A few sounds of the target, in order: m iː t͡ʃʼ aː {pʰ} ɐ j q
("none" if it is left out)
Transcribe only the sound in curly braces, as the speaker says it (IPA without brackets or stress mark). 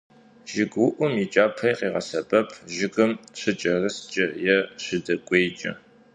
pʰ